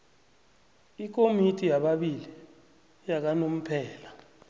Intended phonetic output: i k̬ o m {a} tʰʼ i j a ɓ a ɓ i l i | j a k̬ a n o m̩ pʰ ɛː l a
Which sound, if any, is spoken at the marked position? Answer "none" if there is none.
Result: i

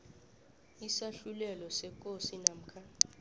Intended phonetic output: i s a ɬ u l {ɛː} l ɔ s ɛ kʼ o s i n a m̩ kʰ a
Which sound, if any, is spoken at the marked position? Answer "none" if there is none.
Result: ɛ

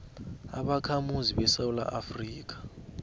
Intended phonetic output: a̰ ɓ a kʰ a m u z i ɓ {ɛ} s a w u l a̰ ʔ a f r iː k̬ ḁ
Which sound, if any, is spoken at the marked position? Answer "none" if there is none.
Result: ɛ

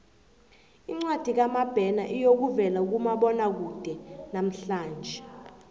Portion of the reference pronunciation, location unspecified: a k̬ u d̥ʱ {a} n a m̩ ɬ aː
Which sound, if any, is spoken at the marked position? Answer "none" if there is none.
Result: ɛ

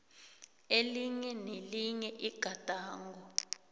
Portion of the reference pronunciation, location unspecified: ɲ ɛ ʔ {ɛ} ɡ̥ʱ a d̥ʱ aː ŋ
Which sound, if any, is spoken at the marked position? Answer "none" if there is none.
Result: i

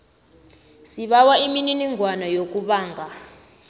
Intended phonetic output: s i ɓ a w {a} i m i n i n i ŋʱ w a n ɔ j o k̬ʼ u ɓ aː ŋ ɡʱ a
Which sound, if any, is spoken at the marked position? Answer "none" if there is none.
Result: a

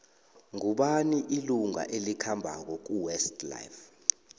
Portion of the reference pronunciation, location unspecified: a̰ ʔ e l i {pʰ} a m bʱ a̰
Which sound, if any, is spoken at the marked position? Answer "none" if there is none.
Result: kʰ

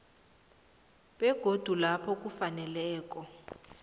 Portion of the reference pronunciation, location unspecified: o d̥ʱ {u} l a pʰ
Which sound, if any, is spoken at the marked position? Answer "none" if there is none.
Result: u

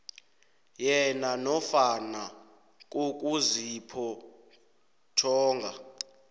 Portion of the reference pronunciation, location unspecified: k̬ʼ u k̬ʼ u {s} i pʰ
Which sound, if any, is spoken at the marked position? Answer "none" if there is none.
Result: z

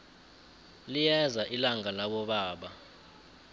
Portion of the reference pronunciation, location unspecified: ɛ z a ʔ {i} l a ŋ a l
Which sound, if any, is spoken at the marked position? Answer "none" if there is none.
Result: i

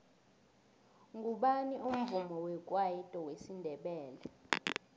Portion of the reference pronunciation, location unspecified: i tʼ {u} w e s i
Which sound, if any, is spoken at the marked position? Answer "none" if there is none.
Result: ɔ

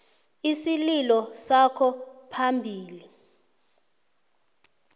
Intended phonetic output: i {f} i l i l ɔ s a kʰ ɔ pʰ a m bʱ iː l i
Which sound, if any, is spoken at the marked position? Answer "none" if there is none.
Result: s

